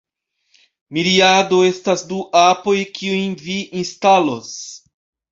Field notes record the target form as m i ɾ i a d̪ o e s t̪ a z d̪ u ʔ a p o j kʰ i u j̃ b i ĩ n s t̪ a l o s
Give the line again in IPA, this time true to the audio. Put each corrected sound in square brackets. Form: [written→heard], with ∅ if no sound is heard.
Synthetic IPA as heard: m i ɾ i a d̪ o e s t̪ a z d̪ u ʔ a p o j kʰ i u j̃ [b→v] i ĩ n s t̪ a l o s